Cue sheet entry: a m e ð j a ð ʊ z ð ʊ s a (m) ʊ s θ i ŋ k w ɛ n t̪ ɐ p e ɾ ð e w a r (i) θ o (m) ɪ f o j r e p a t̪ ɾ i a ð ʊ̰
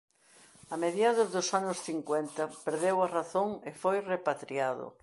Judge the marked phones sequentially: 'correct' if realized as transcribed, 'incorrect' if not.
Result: incorrect: n, incorrect: a, incorrect: ŋ

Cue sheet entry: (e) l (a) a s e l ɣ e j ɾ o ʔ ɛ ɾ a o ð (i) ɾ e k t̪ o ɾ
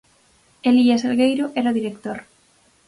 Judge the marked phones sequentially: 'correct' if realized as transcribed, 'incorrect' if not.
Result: correct, incorrect: i, correct

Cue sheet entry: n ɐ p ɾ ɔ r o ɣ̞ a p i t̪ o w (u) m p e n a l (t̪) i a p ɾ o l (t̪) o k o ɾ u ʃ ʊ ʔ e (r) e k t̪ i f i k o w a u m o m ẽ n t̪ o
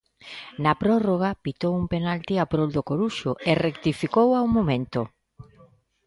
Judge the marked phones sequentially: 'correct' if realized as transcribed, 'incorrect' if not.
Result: correct, correct, incorrect: d̪, correct

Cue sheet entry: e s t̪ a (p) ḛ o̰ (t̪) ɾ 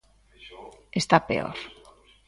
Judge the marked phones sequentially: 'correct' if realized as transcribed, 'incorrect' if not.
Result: correct, incorrect: none

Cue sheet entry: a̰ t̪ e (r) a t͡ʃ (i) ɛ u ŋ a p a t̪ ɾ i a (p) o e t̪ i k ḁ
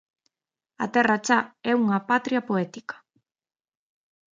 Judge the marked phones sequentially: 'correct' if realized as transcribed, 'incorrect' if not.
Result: correct, incorrect: a, correct

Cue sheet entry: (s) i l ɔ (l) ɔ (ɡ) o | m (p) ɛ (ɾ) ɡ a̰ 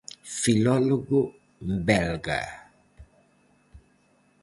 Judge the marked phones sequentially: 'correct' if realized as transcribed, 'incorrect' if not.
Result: incorrect: f, correct, correct, incorrect: b, incorrect: l

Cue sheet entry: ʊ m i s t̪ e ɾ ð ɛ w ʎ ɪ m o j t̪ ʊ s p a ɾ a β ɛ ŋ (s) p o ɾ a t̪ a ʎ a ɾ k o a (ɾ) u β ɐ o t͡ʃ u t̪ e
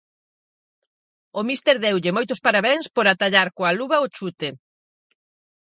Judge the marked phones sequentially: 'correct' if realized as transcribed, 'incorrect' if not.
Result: correct, incorrect: l

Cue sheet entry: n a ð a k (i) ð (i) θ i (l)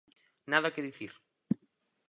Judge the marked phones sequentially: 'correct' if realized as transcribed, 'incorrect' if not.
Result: incorrect: e, correct, incorrect: ɾ

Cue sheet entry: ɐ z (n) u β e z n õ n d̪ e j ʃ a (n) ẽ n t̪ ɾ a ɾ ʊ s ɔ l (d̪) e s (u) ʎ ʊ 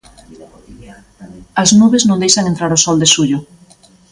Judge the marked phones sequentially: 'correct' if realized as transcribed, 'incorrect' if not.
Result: correct, incorrect: ŋ, correct, correct

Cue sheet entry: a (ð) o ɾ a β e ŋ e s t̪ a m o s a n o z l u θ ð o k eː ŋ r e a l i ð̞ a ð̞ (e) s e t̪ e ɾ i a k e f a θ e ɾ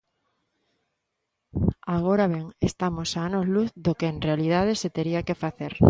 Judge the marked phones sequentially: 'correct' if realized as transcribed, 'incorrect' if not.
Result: incorrect: ɣ, correct

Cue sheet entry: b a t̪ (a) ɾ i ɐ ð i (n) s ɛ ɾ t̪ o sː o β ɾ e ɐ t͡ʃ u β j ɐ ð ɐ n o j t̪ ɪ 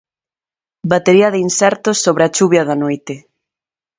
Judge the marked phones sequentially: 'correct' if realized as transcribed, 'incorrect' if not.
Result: incorrect: e, correct

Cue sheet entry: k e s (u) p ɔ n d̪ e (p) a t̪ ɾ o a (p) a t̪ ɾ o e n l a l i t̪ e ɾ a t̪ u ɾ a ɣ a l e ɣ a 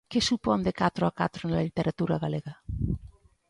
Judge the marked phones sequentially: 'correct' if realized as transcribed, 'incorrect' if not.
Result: correct, incorrect: k, incorrect: k

